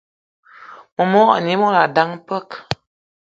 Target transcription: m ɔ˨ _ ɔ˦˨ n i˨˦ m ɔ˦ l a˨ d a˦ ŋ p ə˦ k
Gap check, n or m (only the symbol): m